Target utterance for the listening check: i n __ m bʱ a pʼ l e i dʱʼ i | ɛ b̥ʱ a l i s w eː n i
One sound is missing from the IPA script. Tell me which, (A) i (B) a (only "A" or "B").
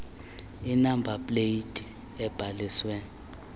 B